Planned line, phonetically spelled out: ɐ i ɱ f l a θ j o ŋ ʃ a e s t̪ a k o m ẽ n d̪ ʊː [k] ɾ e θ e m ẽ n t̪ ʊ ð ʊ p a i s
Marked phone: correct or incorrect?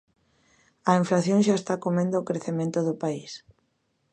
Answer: correct